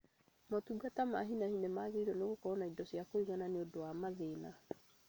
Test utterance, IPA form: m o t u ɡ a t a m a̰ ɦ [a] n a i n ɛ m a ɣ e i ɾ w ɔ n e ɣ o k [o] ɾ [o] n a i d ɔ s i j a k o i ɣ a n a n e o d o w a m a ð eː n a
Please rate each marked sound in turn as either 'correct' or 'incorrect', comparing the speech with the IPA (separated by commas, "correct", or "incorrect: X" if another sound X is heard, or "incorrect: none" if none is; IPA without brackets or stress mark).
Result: incorrect: i, incorrect: ɔ, incorrect: ɔ